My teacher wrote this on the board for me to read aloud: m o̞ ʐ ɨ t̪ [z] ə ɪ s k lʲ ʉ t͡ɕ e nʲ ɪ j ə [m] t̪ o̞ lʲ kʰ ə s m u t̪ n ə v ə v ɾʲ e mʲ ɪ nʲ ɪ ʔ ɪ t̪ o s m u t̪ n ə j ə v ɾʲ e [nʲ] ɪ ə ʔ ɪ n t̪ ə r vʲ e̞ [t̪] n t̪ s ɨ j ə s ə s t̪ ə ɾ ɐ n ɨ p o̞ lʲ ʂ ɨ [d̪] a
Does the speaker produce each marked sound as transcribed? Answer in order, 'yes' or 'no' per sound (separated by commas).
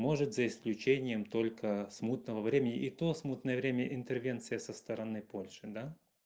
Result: yes, yes, no, no, yes